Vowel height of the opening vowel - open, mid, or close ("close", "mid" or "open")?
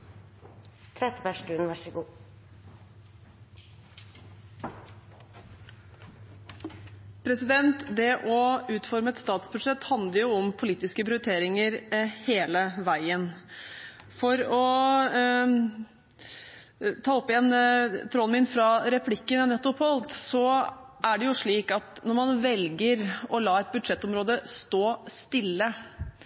mid